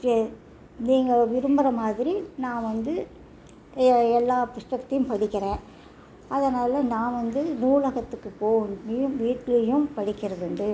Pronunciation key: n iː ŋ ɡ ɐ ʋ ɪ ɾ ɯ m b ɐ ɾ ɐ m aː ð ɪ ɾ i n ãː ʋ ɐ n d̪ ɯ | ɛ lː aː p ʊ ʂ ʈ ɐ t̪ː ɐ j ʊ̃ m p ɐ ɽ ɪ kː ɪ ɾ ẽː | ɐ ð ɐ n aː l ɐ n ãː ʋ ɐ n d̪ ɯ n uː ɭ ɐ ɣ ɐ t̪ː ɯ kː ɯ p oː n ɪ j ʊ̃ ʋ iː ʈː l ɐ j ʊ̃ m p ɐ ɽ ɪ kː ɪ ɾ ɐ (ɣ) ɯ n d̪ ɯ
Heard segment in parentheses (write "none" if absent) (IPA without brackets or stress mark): ð